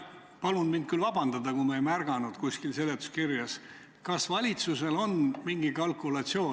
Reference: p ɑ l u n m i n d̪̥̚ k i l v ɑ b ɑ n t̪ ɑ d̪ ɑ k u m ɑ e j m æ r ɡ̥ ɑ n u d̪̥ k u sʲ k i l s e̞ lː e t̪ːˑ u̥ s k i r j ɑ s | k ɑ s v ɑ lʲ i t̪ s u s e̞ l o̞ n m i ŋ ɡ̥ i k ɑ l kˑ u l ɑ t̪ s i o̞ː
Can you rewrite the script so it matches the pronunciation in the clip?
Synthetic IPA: p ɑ l u n m i n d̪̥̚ k y l v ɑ b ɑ n d̪ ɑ d̪ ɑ k u m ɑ e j m æ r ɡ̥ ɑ n u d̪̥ k u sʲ k i l s e̞ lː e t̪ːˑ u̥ s k i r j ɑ s | k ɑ s v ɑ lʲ i t̪ s u s e̞ l o̞ n m i ŋ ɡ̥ i k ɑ l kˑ u l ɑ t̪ s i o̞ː